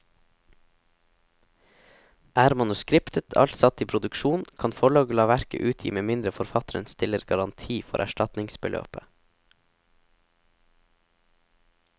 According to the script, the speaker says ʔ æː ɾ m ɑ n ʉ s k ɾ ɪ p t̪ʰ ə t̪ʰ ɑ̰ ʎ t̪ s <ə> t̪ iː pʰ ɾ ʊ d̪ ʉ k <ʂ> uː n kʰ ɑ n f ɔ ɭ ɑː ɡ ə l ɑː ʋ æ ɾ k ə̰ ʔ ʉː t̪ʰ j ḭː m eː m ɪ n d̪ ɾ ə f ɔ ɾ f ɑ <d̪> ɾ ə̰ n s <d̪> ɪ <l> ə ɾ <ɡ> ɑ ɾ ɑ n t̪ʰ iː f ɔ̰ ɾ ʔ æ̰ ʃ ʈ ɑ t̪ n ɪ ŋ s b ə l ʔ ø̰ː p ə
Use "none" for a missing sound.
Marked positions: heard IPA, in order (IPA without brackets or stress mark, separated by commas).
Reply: ɑ, ʃ, t̪, t̪, l, ɡ